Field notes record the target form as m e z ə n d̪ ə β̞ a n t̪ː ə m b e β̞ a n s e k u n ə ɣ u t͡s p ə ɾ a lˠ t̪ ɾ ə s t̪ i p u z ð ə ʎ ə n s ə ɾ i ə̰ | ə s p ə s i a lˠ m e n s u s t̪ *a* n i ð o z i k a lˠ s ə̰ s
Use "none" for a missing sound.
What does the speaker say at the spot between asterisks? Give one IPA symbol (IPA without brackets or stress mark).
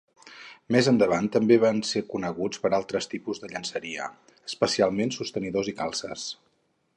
ə